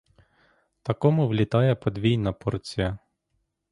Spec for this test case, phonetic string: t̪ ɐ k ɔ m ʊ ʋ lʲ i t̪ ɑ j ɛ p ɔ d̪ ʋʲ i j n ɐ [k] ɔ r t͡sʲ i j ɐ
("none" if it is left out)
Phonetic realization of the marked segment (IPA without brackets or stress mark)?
p